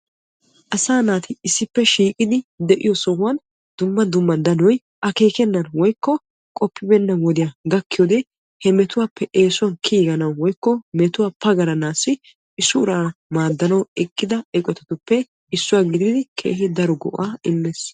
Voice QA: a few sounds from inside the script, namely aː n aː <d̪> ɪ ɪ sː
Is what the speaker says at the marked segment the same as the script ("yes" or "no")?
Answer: no